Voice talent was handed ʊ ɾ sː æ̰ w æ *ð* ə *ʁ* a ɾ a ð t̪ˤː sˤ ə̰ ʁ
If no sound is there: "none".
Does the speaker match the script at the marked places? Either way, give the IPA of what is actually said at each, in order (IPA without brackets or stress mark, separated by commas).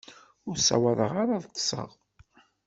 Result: ð, ʁ